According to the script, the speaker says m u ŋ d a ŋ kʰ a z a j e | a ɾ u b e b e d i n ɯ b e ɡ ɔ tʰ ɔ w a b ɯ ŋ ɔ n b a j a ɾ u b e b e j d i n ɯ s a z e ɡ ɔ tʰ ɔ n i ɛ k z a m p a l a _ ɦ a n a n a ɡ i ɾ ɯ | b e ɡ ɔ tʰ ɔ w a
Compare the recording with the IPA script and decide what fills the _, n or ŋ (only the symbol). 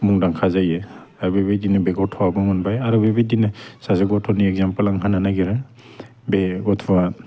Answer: ŋ